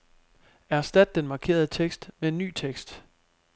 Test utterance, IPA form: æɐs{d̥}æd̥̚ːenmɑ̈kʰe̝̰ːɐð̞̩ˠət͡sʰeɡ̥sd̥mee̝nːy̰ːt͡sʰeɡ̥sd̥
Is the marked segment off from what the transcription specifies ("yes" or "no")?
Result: no